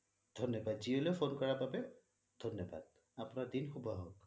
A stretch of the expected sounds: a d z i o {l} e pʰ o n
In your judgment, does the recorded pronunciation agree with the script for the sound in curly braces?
yes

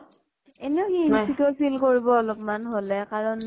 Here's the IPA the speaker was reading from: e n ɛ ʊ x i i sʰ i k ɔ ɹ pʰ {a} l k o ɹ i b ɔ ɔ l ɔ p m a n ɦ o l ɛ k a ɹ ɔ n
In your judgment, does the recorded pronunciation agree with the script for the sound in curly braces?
no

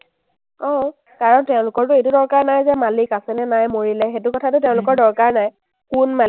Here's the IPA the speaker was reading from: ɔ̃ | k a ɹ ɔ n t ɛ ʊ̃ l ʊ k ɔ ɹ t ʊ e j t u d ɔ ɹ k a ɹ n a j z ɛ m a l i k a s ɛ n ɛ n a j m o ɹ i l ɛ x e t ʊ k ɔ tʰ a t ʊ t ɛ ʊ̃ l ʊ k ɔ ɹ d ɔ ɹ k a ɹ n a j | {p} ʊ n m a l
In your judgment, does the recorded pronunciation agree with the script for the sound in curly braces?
no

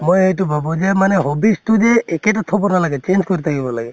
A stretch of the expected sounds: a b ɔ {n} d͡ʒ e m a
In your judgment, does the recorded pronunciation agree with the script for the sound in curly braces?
no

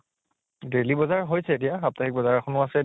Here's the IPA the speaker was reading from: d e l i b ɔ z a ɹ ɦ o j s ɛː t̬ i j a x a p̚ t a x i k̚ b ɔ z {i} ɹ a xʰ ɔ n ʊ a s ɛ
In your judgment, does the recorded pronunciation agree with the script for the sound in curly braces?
no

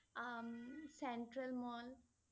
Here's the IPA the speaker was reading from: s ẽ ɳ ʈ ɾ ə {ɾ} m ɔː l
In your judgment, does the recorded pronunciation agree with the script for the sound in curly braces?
no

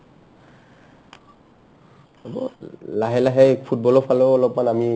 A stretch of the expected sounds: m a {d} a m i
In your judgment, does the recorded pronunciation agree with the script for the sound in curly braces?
no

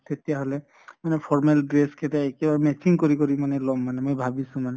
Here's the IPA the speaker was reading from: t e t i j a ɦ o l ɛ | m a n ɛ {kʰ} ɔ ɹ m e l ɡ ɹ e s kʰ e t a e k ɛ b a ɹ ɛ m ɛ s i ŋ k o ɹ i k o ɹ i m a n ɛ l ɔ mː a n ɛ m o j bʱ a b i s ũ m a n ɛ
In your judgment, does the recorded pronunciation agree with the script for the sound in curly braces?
no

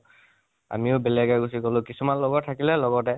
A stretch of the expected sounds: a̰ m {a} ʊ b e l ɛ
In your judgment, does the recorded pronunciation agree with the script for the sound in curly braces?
no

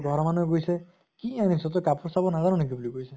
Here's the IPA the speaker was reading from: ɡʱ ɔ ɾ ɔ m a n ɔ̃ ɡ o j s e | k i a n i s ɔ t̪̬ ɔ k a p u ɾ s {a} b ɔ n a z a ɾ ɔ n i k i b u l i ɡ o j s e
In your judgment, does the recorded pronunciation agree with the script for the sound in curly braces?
yes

